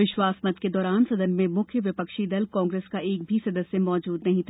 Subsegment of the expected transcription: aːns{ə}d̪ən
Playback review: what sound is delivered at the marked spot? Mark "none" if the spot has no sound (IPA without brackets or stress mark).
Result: ɐ